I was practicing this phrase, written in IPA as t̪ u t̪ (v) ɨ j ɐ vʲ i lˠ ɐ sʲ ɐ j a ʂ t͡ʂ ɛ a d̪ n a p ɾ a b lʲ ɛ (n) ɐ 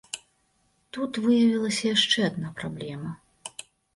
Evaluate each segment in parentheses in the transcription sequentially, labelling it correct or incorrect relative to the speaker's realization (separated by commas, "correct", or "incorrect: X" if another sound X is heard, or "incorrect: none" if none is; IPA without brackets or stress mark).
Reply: correct, incorrect: m